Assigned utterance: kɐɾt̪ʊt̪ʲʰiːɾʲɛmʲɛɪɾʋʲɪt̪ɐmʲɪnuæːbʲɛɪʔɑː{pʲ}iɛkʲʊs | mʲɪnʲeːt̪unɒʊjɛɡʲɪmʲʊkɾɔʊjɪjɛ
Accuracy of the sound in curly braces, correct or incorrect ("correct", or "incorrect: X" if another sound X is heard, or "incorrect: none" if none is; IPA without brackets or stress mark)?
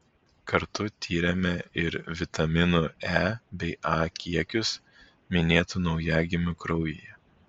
incorrect: kʲ